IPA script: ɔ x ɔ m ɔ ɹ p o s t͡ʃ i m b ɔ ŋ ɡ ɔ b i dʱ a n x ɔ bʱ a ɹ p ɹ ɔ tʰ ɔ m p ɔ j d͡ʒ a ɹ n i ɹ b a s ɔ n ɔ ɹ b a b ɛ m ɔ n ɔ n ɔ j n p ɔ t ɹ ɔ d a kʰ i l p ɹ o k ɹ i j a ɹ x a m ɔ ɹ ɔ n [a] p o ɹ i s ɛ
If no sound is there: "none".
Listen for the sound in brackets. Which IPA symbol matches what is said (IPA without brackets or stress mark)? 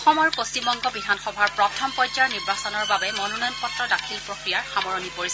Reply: i